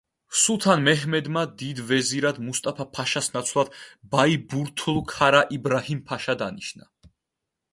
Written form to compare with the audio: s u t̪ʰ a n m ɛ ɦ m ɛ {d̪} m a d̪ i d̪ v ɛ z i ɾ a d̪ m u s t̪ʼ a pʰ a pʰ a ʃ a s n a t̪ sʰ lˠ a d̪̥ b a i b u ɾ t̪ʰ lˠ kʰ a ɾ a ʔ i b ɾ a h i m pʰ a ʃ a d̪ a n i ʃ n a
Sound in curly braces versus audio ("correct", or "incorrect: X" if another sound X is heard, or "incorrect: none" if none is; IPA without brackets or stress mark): correct